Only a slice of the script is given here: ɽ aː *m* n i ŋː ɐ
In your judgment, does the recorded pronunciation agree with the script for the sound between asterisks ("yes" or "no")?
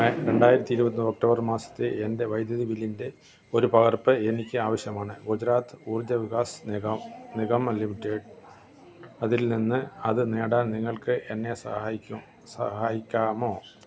no